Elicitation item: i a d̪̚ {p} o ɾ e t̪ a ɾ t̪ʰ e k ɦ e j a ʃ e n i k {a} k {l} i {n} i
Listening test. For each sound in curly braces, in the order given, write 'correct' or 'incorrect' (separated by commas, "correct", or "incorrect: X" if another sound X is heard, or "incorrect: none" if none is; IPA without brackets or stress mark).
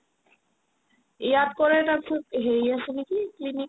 incorrect: k, incorrect: i, correct, correct